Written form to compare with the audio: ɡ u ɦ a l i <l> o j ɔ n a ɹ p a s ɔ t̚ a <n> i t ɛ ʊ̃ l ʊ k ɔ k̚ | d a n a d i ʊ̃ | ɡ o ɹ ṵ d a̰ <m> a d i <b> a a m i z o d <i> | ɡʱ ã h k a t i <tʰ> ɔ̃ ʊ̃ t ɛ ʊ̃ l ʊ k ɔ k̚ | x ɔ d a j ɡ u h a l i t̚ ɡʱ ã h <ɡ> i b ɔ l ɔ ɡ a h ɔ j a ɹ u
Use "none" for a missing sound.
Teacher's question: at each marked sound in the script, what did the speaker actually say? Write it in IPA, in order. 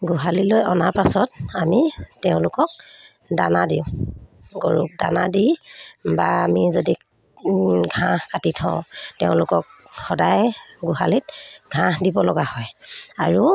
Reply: l, m, n, b, i, tʰ, d

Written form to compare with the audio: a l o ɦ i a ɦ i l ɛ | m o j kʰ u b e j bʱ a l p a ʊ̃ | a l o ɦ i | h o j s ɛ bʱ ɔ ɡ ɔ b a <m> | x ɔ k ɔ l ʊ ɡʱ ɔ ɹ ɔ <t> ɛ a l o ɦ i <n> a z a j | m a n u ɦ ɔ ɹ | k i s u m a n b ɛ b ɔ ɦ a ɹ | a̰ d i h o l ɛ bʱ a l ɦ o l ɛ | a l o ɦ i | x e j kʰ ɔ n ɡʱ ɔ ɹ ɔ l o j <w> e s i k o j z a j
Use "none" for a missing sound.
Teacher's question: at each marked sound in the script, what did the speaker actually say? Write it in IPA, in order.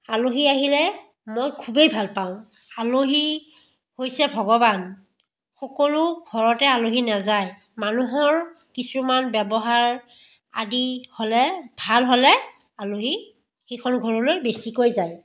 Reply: n, t, n, b

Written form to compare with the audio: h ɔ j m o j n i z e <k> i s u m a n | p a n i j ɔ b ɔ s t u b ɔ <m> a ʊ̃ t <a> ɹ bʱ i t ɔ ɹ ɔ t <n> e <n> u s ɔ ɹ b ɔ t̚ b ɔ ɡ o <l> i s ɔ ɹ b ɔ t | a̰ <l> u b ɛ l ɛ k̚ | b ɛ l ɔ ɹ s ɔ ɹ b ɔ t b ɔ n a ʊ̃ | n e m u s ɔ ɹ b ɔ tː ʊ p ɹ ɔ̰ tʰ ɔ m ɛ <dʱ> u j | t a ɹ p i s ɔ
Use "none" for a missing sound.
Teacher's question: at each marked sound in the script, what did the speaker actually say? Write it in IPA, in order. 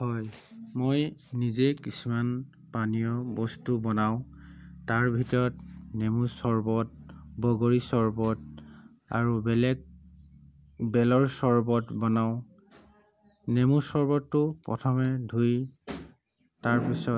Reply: k, n, a, n, m, ɹ, ɹ, dʱ

